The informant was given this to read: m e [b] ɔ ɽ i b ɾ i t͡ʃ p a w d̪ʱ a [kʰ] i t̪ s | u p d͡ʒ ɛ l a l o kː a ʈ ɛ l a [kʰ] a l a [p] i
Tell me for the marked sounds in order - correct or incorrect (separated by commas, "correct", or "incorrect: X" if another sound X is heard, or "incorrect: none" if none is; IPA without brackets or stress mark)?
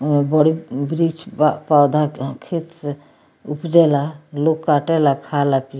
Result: correct, correct, correct, correct